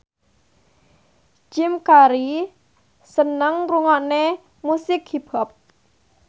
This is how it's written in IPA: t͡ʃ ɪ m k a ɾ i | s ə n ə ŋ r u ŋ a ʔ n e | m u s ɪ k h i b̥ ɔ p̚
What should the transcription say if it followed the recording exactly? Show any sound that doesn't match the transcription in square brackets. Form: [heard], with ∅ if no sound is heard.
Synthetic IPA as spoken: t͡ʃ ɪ m k a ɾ i | s ə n ə ŋ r u ŋ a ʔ n e | m u s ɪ k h i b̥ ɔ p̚